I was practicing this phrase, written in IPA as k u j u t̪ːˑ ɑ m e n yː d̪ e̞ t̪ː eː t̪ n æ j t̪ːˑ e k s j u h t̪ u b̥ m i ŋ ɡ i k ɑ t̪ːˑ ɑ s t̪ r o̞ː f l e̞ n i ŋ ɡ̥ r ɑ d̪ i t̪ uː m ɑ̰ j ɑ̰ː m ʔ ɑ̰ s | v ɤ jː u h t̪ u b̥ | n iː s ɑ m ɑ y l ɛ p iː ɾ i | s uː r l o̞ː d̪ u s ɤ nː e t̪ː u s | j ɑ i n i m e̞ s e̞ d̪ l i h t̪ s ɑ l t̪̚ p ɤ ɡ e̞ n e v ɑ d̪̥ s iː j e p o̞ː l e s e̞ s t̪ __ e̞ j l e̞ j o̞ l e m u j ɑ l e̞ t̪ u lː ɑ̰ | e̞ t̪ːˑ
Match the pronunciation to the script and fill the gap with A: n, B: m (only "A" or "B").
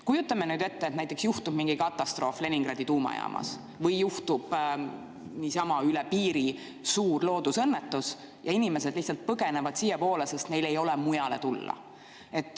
A